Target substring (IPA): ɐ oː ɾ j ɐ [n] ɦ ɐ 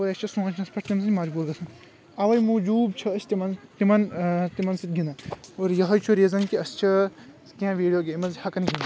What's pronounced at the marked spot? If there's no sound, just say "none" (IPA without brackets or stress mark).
none